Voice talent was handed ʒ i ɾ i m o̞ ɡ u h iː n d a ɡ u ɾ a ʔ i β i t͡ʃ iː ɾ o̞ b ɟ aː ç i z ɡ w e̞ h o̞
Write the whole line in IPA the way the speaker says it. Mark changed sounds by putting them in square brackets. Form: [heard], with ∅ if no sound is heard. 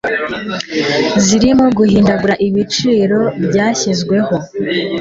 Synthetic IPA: [z] i ɾ i m o̞ ɡ u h iː n d a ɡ u ɾ a ʔ i β i t͡ʃ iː ɾ o̞ b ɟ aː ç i z ɡ w e̞ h o̞